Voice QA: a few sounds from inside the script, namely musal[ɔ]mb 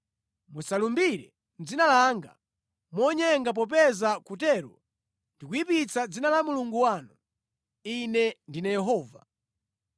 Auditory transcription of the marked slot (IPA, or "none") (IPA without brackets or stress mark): u